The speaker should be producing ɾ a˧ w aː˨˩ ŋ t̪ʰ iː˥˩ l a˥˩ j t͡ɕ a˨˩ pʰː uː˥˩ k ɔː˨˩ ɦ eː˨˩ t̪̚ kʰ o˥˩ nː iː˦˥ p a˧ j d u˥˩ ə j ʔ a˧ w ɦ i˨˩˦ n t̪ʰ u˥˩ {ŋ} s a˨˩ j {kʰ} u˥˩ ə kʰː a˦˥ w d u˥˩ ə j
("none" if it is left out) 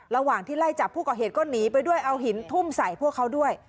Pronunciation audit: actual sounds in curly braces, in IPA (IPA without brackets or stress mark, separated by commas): m, pʰ